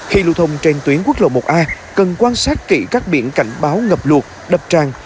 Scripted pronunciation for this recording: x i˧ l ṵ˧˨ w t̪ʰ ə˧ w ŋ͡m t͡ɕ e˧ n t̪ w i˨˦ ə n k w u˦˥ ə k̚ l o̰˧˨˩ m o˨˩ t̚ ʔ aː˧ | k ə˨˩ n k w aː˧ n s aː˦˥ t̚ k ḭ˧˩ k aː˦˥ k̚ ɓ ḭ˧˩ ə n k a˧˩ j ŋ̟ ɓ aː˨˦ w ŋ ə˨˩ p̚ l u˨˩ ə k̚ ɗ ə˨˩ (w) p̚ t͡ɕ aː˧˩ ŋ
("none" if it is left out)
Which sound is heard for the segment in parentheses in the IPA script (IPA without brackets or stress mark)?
none